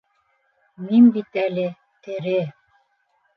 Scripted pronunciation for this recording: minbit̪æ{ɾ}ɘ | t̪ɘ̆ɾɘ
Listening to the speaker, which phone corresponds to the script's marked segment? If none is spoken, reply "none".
l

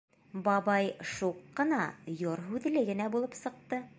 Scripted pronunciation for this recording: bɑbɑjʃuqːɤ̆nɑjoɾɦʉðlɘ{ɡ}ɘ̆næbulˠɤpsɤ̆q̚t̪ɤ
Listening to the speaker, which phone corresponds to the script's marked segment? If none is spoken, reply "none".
ɡ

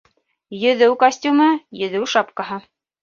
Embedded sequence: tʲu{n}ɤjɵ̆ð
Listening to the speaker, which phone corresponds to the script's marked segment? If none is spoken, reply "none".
m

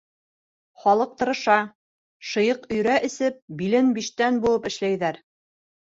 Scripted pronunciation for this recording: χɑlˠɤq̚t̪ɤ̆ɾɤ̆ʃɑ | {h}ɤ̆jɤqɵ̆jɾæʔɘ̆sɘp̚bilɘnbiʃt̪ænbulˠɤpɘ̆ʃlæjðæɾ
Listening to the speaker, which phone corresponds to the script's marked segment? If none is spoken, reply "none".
ʃ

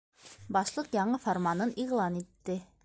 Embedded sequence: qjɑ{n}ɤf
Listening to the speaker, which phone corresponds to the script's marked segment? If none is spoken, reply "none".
ɴ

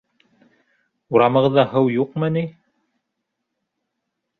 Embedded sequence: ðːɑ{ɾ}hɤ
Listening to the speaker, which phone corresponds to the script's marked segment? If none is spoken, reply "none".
none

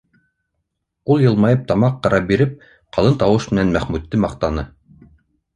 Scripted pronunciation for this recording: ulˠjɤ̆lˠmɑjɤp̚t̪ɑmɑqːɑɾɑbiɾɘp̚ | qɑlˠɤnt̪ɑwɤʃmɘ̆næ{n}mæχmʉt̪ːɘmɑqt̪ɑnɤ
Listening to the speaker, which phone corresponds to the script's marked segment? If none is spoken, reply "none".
n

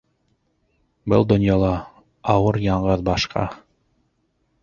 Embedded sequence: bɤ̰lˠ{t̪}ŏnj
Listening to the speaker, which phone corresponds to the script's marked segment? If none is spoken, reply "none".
d̪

